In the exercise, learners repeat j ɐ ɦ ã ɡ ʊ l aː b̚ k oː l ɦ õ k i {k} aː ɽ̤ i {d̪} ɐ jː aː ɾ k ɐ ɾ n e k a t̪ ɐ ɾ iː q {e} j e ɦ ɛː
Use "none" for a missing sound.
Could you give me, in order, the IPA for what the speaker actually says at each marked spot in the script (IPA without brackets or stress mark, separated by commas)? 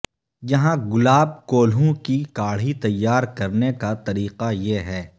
k, t̪, a